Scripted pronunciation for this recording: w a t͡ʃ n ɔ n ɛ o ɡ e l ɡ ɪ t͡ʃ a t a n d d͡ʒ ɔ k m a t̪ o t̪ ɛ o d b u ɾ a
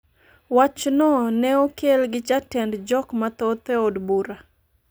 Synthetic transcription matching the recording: w a t͡ʃ n ɔ n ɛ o k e l ɡ ɪ t͡ʃ a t ɛ n d d͡ʒ ɔ k m a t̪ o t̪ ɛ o d b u ɾ a